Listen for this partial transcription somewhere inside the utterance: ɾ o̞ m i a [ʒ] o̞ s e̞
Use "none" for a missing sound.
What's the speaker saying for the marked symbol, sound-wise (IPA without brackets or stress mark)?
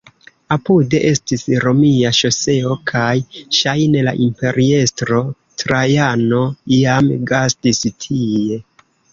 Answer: ʃ